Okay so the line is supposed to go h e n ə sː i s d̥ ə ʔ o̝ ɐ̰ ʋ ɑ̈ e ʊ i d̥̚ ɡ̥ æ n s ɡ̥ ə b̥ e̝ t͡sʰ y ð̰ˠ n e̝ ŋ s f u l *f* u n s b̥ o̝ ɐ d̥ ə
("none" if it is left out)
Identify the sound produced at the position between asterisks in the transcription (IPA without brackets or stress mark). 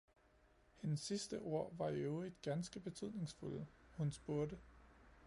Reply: h